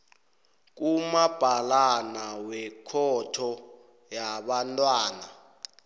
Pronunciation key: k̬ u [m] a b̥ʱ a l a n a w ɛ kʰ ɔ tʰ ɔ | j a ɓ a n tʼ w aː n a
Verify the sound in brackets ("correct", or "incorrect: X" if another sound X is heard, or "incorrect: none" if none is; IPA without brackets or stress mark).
correct